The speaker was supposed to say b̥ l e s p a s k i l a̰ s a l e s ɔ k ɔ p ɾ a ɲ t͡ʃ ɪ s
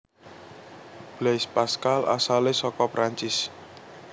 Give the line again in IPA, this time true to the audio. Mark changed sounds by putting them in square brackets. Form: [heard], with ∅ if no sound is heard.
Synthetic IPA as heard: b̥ l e s p a s k [a] l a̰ s a l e s ɔ k ɔ p ɾ a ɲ t͡ʃ ɪ s